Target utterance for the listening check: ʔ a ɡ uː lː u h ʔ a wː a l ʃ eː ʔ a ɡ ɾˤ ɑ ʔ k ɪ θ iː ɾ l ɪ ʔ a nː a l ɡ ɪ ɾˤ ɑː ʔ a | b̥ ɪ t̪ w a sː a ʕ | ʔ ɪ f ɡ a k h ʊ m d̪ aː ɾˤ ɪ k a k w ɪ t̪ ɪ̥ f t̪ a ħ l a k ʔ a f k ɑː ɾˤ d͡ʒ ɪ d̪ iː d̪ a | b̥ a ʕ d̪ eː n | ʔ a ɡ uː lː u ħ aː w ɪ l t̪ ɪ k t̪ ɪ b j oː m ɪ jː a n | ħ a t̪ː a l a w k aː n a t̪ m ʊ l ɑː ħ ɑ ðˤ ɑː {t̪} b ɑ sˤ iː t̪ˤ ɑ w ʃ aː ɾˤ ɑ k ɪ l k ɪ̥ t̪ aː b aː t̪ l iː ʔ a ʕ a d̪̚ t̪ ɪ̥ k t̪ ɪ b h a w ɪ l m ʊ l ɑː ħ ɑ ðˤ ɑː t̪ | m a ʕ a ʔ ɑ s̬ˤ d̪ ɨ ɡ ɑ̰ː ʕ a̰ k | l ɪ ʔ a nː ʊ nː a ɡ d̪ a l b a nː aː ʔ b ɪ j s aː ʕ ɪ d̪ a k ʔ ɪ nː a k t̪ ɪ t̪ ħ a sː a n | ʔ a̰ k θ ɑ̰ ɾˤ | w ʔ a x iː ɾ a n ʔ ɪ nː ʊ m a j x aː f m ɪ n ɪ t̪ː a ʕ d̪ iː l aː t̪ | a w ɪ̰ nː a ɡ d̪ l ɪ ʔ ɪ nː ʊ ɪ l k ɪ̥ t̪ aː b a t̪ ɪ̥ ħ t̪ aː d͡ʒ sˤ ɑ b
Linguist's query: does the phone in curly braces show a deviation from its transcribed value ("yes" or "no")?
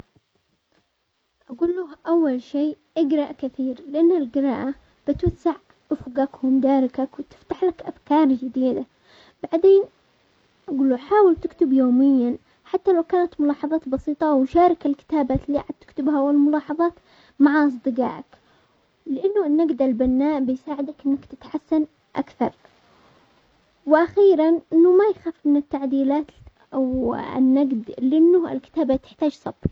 no